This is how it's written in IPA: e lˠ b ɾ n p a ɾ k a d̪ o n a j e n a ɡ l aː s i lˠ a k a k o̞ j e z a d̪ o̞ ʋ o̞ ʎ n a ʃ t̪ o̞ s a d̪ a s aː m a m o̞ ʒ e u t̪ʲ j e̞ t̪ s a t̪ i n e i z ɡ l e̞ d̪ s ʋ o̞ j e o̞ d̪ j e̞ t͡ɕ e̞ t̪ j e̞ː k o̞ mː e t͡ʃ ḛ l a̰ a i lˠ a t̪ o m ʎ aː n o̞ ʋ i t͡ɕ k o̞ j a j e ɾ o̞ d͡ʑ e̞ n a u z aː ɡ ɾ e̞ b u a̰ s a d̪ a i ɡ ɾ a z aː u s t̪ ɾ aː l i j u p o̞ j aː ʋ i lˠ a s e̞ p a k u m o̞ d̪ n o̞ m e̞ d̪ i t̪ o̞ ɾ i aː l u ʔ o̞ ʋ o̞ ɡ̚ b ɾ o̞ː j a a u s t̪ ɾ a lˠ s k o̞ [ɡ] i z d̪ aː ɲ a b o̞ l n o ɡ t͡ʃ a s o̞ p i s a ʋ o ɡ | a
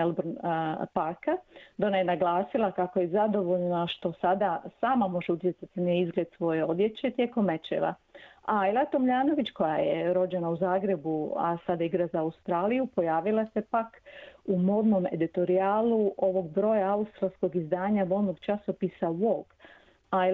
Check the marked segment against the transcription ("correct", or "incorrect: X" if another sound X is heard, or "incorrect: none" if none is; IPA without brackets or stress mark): correct